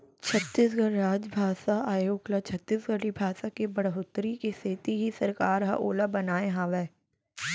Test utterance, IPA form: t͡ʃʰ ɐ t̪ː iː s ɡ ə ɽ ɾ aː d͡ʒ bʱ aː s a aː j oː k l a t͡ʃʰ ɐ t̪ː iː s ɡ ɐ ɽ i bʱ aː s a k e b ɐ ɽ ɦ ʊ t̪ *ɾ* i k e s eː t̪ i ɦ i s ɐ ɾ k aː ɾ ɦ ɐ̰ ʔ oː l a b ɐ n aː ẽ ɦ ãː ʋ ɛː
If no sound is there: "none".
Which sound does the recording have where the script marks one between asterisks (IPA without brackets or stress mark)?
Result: ɾ